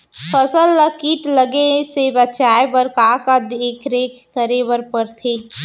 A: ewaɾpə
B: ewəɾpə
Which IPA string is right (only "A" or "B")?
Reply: B